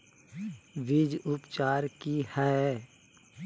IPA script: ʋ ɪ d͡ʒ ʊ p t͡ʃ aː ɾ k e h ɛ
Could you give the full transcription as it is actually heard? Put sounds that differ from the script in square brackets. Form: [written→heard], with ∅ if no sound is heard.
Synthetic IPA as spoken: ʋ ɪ d͡ʒ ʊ p t͡ʃ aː ɾ k [e→i] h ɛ